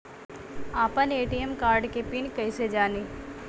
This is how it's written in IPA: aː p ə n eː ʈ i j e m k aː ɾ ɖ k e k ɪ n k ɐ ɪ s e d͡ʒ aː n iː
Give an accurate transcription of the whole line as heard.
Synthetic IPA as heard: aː p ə n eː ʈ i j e m k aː ɾ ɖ k e p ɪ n k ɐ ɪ s e d͡ʒ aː n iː